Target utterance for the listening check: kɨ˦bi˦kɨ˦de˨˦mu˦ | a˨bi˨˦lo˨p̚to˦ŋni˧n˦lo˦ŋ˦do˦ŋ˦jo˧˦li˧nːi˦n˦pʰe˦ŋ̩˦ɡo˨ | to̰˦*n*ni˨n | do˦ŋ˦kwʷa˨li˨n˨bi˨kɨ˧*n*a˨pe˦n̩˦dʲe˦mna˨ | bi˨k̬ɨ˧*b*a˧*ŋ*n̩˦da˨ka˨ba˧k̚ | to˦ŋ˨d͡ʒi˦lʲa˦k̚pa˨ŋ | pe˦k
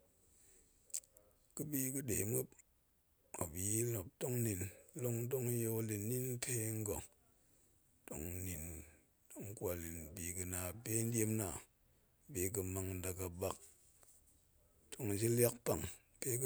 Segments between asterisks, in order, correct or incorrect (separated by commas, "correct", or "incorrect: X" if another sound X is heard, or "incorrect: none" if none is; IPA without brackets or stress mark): incorrect: ŋ, correct, incorrect: m, correct